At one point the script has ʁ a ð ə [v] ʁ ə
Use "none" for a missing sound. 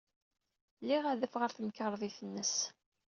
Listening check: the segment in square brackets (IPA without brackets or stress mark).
f